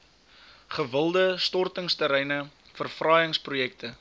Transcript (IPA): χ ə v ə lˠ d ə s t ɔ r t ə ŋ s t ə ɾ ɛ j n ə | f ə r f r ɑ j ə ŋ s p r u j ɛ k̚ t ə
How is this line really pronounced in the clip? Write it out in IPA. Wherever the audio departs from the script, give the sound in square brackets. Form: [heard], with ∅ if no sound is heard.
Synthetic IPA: χ ə v ə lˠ d ə s t ɔ r t ə ŋ s t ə ɾ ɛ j n ə | f ə r f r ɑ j ə ŋ s p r u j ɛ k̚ t ə

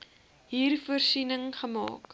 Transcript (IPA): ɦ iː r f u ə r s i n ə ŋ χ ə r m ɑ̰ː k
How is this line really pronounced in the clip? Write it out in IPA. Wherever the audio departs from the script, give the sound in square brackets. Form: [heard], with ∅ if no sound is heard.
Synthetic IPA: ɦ iː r f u ə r s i n ə ŋ χ ə [∅] m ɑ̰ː k

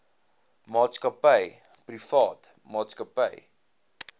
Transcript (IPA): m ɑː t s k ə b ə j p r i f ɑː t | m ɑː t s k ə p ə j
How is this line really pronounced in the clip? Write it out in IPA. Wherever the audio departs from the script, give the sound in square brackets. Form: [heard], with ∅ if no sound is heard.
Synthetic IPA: m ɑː t s k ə [p] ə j p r i f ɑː t | m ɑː t s k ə p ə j

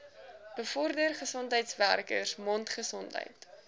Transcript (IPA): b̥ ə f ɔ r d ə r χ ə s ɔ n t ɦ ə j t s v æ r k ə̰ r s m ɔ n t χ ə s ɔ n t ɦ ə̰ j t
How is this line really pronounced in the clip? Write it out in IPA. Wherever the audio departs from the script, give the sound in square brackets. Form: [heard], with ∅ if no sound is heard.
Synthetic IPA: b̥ ə f ɔ r d ə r χ ə s ɔ n t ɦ ə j t s v æ r k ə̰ r s m ɔ n t χ ə s ɔ n t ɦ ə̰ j t

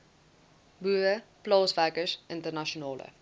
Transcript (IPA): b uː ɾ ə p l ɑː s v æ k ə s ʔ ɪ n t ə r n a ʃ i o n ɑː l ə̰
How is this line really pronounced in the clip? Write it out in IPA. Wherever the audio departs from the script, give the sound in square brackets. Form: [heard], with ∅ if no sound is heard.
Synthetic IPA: b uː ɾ ə p l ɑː s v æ k ə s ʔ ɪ n t ə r n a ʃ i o n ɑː l ə̰

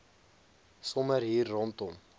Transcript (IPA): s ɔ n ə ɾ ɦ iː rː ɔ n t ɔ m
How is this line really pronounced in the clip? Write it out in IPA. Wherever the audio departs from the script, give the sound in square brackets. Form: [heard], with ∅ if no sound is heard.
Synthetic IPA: s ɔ [m] ə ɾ ɦ iː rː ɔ n t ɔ m

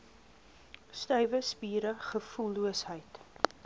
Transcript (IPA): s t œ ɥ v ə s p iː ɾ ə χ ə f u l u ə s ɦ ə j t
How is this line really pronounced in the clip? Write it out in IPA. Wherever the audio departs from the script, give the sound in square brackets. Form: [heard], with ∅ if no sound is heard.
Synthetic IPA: s t œ ɥ v ə s p iː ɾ ə χ ə f u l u ə s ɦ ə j t

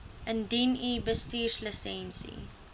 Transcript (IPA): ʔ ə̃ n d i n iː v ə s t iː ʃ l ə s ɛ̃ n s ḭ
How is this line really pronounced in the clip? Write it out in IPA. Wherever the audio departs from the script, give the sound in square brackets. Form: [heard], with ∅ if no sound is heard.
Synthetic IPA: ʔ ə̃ n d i n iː [b] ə s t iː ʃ l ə s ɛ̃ n s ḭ

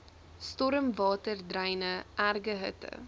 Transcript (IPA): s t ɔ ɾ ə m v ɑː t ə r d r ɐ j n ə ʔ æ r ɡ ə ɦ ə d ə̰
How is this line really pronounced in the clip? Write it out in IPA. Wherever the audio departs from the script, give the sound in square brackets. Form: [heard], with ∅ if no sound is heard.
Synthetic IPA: s t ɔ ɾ ə m v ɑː t ə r d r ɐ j n ə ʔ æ r ɡ ə ɦ ə [t] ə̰

